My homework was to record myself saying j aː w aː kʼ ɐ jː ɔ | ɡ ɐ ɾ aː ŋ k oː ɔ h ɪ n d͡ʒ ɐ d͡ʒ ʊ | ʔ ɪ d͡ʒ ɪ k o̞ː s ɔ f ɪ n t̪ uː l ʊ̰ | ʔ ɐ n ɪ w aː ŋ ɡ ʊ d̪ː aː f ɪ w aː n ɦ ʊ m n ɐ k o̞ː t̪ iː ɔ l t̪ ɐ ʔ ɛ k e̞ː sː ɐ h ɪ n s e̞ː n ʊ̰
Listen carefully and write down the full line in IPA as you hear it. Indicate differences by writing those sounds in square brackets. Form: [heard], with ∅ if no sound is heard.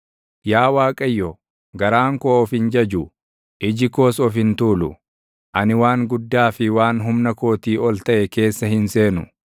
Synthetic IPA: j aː w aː kʼ ɐ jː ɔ | ɡ ɐ ɾ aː ŋ k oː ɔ [f] ɪ n d͡ʒ ɐ d͡ʒ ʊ | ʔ ɪ d͡ʒ ɪ k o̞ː s ɔ f ɪ n t̪ uː l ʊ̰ | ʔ ɐ n ɪ w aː ŋ ɡ ʊ d̪ː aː f ɪ w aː n ɦ ʊ m n ɐ k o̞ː t̪ iː ɔ l t̪ ɐ ʔ ɛ k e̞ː sː ɐ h ɪ n s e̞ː n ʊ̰